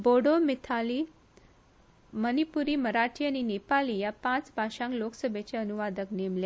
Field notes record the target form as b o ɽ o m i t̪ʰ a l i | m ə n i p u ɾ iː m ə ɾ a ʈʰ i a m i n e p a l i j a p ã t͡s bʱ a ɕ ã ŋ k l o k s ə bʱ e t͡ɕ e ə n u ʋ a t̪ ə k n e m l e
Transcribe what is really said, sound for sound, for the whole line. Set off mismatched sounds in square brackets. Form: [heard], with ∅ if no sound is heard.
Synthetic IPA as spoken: b o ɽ o m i t̪ʰ a l i | m ə n i p u ɾ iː m ə ɾ a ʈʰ i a [n] i n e p a l i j a p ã t͡s bʱ a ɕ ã ŋ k l o k s ə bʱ e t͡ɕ e ə n u ʋ a [d̪] ə k n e m l e